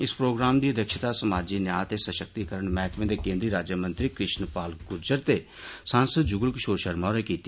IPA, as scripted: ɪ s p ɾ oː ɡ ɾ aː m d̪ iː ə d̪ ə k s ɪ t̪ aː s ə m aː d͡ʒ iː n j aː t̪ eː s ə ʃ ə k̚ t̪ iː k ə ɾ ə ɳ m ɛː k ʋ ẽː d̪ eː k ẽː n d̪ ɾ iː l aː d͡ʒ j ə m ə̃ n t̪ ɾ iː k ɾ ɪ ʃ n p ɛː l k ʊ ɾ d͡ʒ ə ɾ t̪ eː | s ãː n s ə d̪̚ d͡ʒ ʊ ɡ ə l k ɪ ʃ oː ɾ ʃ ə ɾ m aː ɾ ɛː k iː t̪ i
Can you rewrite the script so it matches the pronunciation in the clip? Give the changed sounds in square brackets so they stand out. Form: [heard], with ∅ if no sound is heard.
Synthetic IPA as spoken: ɪ s p ɾ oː ɡ ɾ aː m d̪ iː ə d̪ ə k [ʃ] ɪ t̪ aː s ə m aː d͡ʒ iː n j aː t̪ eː s ə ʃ ə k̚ t̪ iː k ə ɾ ə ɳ m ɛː k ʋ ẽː d̪ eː k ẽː n d̪ ɾ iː [ɾ] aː d͡ʒ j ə m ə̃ n t̪ ɾ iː k ɾ ɪ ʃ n p [aː] l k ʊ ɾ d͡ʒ ə ɾ t̪ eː | s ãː n s ə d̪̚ d͡ʒ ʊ ɡ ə l k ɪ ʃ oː ɾ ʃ ə ɾ m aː ɾ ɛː k iː t̪ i